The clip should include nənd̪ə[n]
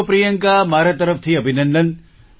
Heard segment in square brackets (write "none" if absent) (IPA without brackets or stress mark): n